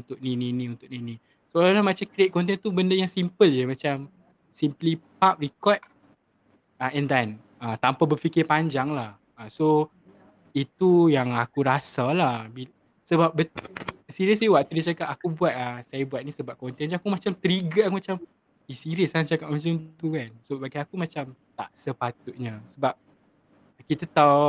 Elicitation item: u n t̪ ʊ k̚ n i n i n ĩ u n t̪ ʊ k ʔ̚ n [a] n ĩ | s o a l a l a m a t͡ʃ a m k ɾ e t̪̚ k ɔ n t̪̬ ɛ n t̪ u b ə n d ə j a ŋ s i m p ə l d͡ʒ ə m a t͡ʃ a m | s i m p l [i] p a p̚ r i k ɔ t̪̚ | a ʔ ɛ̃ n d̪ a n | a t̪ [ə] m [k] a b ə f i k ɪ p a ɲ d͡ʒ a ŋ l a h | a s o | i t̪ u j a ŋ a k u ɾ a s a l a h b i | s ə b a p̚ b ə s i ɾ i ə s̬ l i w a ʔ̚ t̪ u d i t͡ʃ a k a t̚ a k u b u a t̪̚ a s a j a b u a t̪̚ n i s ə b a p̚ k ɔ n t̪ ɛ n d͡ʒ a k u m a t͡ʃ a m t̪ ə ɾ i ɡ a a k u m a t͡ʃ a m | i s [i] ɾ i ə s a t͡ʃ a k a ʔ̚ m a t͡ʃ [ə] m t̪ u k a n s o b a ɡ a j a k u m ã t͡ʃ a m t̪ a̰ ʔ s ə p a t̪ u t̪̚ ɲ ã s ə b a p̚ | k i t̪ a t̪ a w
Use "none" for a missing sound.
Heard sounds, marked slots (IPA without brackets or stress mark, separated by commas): i, i, a, p, i, a